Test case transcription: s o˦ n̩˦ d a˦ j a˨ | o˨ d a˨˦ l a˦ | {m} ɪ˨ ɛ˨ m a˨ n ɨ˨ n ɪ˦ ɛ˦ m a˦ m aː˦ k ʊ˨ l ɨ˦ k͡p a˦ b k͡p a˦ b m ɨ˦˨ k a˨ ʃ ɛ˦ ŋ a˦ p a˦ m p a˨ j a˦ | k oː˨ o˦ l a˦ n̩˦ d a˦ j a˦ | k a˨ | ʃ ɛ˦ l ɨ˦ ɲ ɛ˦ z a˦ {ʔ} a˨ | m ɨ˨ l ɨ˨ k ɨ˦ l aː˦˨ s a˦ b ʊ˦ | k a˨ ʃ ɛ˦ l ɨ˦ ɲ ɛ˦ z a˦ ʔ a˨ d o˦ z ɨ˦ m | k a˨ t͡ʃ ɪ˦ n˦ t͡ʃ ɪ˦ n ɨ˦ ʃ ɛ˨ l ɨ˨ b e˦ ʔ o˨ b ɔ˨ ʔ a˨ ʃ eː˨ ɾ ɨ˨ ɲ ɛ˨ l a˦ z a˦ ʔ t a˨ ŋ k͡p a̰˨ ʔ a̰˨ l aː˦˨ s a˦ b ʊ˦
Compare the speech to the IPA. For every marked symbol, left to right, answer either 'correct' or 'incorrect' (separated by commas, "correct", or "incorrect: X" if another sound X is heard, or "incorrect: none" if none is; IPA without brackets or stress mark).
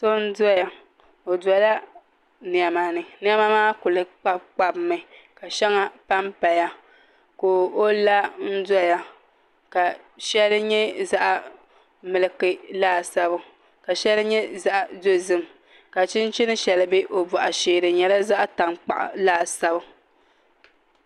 incorrect: n, correct